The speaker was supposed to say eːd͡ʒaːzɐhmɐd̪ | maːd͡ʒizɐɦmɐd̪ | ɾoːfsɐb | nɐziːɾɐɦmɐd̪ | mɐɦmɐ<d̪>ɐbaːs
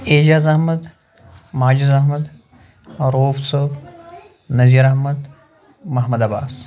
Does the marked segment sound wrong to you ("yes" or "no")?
no